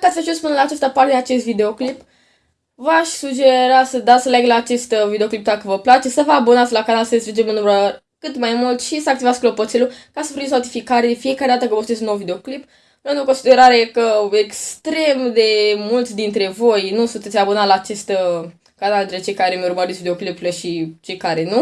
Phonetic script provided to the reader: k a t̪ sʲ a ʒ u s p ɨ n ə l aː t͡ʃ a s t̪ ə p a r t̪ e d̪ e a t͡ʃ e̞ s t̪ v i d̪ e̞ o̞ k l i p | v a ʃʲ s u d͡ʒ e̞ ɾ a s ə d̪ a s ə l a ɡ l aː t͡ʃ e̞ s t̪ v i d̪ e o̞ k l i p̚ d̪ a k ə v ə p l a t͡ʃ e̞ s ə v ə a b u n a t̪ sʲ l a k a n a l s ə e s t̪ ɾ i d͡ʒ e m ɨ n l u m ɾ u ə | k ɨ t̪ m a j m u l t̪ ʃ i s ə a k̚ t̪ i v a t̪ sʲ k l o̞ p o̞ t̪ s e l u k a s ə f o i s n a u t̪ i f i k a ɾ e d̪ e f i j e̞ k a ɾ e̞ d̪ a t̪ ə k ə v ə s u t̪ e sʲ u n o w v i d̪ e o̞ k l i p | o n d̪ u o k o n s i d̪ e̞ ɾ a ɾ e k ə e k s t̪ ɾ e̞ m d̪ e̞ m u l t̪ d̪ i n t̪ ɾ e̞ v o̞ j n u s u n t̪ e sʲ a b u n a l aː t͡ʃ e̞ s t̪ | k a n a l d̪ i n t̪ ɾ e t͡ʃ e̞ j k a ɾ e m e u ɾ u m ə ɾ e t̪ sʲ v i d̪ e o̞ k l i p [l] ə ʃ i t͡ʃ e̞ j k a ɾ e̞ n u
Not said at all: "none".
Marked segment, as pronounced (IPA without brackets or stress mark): l